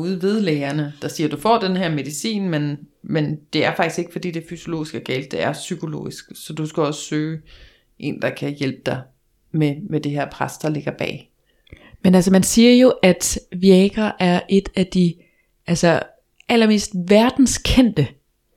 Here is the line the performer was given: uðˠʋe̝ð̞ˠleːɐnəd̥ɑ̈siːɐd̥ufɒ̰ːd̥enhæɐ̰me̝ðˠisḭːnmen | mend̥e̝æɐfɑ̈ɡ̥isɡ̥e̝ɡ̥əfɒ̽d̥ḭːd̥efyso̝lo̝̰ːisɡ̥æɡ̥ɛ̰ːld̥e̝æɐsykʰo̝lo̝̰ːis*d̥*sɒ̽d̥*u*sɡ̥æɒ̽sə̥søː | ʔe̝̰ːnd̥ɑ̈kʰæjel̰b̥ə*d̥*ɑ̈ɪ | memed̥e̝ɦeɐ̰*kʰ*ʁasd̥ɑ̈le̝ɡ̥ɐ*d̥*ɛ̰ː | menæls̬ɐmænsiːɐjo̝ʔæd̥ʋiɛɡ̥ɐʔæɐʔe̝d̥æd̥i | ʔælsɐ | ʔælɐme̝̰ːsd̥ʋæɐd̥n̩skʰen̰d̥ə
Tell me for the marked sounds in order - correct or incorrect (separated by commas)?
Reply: incorrect, correct, correct, incorrect, incorrect